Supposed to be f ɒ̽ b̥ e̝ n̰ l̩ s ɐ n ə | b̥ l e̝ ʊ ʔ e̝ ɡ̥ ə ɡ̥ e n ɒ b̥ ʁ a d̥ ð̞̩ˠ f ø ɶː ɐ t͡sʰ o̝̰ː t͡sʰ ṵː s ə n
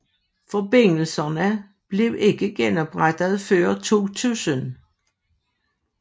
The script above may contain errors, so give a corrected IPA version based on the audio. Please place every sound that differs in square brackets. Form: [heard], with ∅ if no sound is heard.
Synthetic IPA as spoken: f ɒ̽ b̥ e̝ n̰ l̩ s ɐ n ə | b̥ l e̝ ʊ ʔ e̝ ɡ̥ ə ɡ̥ e n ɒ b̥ ʁ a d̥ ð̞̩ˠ f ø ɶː ɐ t͡sʰ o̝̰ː t͡sʰ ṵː s ə n